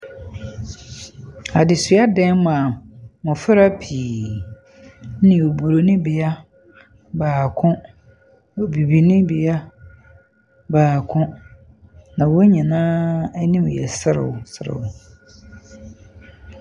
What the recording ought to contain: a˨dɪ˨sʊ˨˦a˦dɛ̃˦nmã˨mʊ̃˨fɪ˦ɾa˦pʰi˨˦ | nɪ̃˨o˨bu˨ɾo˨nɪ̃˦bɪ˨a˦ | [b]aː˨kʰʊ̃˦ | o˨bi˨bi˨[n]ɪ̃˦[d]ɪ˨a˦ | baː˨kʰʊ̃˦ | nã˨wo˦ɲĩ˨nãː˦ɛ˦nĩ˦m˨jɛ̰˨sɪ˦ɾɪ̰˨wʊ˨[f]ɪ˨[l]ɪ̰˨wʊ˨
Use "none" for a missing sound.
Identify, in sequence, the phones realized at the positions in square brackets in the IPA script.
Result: b, n, b, s, ɾ

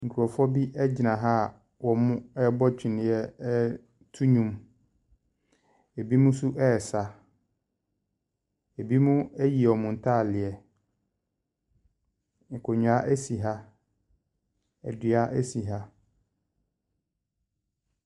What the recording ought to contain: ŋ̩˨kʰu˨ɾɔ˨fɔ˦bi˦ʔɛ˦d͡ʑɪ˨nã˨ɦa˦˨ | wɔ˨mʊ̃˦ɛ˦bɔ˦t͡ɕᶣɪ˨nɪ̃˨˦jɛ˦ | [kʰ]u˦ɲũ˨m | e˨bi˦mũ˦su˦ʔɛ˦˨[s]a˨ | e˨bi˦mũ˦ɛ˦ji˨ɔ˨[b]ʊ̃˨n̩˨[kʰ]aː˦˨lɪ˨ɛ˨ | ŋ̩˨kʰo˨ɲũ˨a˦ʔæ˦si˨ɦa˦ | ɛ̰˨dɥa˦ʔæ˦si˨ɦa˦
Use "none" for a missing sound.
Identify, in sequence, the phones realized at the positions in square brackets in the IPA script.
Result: tʰ, s, m, tʰ

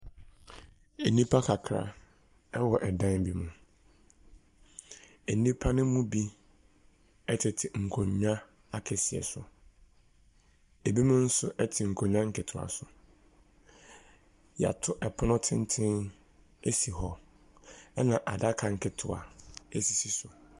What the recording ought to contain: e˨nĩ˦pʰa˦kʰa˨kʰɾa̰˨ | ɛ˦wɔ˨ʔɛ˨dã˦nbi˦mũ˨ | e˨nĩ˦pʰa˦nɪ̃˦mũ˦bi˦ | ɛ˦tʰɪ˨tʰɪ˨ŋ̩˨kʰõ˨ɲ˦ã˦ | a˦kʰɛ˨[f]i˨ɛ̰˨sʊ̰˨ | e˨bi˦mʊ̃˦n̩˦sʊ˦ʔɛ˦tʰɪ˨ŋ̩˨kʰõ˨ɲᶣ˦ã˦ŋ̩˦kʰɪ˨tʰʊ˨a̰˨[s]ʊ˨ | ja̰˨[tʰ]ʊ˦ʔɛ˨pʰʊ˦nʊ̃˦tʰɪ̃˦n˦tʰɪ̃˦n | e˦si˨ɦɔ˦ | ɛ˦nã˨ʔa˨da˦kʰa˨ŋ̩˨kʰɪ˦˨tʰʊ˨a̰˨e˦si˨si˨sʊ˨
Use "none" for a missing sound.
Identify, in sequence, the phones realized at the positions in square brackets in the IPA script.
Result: s, s, tʰ

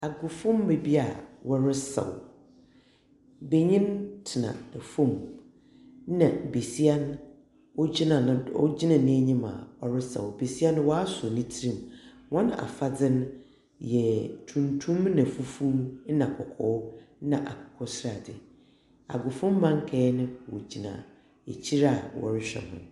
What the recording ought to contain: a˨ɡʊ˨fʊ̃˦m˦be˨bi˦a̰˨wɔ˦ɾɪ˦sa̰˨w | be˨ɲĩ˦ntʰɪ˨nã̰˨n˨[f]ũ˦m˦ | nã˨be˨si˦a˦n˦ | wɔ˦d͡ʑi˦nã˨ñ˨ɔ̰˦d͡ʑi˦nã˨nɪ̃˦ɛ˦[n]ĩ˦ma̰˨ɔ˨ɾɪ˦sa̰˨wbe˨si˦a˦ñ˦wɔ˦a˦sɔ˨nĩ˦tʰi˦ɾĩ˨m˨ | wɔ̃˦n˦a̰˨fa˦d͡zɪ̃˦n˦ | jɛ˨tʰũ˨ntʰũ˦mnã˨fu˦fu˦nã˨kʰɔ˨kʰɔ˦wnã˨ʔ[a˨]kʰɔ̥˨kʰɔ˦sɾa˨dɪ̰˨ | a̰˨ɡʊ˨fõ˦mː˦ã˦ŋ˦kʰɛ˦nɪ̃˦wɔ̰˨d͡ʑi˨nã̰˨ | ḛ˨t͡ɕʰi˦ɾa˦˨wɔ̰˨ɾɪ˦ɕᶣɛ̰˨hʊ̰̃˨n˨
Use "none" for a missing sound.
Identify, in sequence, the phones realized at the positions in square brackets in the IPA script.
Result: f, ɲ, a˨

